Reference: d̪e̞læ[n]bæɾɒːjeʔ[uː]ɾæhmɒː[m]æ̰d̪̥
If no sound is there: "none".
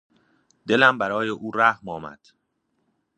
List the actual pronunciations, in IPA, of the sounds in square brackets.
m, uː, m

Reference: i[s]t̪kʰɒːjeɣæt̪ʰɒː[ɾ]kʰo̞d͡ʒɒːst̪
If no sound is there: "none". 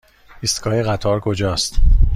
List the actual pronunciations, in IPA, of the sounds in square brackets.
s, ɾ

